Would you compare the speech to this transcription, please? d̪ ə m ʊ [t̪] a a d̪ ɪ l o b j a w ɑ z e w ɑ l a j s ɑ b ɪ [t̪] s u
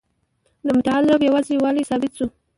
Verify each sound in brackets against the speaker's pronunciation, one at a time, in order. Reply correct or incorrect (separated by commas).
correct, correct